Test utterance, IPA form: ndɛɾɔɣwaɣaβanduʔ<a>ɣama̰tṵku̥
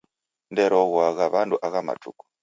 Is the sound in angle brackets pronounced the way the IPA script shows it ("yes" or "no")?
yes